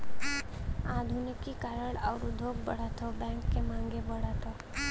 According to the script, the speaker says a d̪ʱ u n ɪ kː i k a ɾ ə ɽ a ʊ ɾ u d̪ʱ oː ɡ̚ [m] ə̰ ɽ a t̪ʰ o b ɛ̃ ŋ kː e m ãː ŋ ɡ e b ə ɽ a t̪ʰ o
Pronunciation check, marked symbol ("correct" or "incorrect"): incorrect